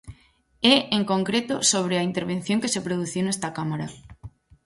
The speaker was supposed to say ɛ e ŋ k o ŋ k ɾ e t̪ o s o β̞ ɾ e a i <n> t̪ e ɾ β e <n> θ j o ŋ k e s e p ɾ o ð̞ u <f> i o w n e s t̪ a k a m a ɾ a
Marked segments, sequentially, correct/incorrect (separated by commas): correct, correct, incorrect